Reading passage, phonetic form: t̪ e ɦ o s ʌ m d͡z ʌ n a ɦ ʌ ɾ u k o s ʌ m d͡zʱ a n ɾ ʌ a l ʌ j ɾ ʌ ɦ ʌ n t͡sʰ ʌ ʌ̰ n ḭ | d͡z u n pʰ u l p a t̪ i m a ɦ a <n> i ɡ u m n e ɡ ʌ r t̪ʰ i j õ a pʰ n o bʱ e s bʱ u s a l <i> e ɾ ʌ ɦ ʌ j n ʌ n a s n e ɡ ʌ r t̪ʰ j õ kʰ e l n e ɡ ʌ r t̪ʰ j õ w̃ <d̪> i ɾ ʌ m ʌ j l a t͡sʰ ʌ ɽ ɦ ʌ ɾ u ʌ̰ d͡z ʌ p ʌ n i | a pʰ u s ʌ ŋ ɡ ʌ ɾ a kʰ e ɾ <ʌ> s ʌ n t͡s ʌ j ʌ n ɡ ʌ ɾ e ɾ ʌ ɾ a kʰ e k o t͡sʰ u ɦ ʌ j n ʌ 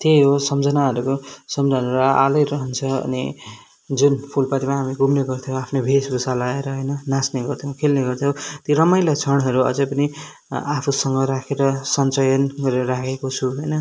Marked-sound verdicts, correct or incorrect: incorrect: m, incorrect: a, incorrect: t̪, correct

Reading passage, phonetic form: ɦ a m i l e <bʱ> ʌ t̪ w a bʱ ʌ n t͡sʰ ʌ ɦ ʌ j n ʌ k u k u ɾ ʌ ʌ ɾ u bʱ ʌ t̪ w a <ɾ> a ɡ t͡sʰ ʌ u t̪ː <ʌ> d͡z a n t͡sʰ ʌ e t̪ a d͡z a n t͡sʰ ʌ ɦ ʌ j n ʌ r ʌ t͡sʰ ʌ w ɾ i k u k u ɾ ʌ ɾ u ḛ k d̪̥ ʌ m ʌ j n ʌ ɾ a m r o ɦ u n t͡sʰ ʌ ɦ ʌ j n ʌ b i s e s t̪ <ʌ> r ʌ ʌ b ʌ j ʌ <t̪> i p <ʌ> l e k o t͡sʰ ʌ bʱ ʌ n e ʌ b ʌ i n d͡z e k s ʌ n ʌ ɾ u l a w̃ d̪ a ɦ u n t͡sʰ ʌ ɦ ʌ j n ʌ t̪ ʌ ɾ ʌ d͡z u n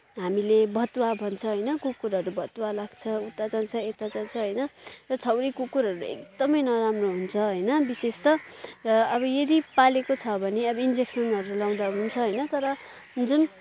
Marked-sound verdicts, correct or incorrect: correct, incorrect: l, incorrect: a, correct, incorrect: d̪, incorrect: a

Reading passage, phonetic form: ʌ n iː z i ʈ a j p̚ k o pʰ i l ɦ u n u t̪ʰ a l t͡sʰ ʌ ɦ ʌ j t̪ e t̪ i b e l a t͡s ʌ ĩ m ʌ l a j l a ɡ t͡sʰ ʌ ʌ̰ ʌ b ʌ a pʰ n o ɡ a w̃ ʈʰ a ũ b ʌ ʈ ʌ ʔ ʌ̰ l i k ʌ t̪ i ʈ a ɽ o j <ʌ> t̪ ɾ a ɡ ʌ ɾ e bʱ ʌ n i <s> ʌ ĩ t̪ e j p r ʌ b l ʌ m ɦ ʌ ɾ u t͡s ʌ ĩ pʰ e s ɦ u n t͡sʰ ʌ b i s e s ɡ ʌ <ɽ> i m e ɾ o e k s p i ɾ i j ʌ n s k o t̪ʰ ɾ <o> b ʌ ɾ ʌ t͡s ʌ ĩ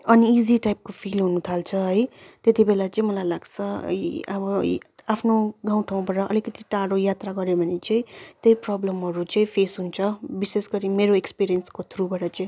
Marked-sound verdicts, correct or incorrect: incorrect: a, incorrect: t͡s, incorrect: ɾ, incorrect: u

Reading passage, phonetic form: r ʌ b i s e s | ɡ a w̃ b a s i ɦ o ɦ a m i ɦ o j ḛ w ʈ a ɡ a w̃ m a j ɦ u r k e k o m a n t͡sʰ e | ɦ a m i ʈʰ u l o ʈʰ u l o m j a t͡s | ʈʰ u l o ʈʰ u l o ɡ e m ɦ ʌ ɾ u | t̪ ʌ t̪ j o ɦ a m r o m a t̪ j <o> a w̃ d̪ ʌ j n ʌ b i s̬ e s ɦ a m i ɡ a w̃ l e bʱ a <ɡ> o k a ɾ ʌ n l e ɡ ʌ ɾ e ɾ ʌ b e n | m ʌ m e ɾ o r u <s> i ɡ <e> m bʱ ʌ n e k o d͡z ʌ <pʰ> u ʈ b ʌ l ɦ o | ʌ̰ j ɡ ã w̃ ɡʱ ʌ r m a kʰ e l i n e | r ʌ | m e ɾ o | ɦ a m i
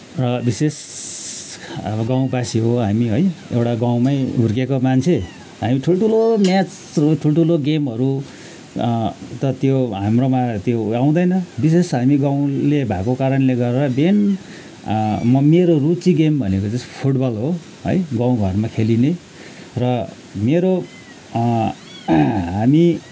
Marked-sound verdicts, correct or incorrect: correct, incorrect: k, incorrect: t͡s, correct, correct

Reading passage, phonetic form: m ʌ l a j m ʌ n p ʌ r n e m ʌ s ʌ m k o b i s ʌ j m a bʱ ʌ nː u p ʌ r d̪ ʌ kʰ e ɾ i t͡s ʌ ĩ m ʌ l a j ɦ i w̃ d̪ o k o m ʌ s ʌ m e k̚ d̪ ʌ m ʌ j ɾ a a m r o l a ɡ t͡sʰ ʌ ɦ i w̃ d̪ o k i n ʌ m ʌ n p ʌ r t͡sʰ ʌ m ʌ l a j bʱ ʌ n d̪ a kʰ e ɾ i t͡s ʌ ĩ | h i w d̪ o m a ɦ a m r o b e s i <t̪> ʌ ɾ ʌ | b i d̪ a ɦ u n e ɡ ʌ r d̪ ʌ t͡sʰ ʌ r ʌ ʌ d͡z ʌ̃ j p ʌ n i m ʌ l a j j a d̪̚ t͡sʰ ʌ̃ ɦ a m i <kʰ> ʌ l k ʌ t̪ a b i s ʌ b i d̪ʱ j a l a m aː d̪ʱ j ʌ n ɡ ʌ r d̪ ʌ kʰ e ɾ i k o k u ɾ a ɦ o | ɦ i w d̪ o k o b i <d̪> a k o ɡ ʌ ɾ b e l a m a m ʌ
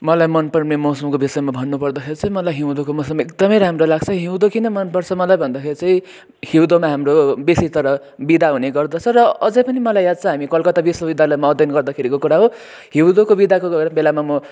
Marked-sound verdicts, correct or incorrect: correct, incorrect: k, correct

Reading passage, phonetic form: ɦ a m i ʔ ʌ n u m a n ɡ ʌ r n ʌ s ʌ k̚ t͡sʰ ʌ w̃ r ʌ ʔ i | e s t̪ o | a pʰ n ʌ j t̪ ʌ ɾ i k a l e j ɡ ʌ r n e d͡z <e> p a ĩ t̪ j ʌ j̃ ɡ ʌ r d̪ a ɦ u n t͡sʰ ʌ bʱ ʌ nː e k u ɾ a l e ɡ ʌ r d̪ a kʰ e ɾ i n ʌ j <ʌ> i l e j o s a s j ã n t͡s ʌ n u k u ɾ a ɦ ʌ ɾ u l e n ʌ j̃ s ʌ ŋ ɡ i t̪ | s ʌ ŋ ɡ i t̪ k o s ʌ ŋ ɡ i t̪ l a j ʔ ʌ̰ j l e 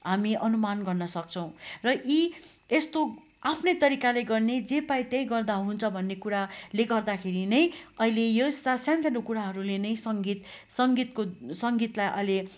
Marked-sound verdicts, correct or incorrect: correct, correct

